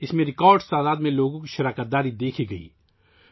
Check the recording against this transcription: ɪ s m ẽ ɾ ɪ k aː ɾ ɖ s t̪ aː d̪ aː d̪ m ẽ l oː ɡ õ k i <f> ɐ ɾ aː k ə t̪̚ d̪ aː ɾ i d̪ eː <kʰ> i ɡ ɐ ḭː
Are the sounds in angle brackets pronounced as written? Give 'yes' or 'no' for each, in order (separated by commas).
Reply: no, yes